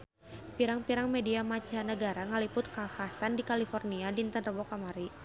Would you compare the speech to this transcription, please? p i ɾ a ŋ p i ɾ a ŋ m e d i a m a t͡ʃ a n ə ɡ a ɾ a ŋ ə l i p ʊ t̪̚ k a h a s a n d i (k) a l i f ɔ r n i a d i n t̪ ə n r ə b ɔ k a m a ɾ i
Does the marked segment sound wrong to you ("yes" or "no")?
no